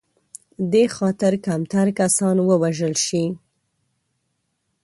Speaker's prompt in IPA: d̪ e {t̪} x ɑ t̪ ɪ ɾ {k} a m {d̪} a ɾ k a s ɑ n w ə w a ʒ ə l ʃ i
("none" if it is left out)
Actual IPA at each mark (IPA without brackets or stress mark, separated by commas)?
none, k, t̪